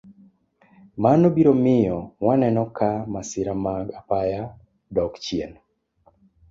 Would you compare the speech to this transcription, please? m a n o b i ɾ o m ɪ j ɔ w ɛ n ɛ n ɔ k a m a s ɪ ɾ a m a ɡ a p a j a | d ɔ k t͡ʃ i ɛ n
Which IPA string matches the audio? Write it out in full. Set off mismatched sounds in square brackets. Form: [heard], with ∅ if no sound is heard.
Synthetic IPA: m a n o b i ɾ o m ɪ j ɔ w [a] n ɛ n ɔ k a m a s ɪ ɾ a m a ɡ a p a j a | d ɔ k t͡ʃ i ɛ n